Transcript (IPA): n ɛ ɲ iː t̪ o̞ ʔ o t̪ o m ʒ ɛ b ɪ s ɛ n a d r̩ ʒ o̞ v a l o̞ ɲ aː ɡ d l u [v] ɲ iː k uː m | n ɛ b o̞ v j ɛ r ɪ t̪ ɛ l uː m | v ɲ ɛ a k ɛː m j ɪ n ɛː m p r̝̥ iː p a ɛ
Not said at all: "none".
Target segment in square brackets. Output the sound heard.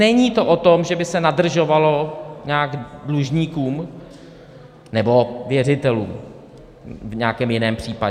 ʒ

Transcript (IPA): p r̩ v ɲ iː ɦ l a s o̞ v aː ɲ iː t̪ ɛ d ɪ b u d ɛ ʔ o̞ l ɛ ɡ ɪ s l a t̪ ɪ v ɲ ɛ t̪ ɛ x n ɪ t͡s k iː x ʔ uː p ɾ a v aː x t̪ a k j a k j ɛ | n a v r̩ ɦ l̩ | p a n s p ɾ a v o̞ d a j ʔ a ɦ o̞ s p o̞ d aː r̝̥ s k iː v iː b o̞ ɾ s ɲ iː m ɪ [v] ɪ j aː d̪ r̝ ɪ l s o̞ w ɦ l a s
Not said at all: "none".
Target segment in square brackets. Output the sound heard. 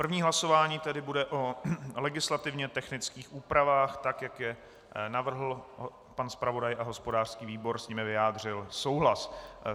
v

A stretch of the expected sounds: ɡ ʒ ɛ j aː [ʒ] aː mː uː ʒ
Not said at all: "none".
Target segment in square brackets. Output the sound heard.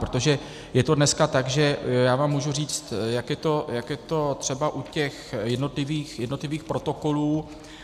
v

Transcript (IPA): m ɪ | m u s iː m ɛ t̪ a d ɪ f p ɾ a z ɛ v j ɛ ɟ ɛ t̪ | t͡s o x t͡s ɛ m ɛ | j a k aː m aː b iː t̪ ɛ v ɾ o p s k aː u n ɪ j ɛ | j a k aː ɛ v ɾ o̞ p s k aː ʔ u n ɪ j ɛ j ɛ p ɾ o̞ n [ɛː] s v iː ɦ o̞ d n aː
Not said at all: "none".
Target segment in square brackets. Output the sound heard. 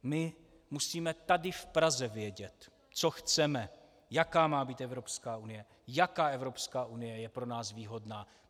aː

